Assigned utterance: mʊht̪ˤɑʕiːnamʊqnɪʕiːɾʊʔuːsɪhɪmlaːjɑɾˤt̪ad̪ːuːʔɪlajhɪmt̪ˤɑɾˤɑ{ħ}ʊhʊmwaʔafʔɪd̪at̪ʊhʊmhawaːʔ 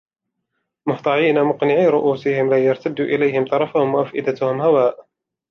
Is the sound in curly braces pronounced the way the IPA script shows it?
no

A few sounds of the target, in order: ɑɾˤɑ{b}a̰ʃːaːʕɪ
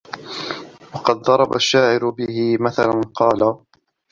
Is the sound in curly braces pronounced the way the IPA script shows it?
yes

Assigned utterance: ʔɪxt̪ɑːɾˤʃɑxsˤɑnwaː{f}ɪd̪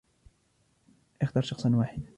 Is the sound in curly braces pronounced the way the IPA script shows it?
no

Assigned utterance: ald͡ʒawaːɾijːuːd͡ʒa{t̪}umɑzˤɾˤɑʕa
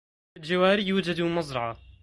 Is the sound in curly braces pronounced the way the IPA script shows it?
no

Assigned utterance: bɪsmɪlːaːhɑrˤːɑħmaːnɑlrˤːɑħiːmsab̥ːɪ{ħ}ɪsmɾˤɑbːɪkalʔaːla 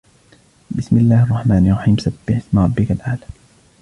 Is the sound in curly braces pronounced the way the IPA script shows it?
yes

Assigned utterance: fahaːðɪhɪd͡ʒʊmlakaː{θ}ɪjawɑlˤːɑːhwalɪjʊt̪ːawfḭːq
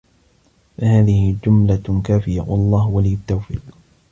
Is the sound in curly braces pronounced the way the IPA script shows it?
no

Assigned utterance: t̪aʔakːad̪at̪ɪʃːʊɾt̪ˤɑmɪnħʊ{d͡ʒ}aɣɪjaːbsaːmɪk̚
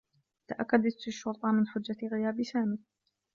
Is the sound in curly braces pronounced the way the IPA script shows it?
no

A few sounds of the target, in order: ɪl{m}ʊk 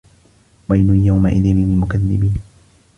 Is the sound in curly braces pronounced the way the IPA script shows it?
yes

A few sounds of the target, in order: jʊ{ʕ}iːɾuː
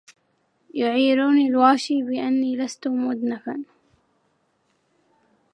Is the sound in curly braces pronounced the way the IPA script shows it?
yes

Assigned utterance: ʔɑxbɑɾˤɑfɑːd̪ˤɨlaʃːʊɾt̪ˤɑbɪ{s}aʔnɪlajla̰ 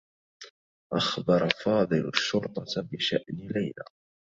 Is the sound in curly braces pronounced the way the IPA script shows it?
no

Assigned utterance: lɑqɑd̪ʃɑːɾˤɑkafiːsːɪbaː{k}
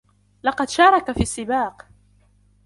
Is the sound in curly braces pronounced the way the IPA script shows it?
no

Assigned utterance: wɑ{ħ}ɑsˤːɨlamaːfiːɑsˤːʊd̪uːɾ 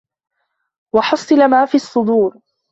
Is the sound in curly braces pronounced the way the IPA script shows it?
yes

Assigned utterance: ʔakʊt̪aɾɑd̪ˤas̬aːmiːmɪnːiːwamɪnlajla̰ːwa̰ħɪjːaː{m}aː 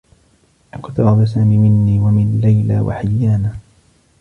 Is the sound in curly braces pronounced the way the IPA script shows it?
no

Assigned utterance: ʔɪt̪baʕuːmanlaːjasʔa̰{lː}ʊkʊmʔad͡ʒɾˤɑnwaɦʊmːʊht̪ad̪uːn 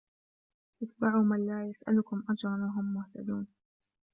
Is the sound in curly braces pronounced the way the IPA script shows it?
no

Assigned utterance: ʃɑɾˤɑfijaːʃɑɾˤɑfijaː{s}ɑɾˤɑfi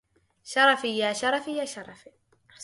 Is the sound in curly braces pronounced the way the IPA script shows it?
no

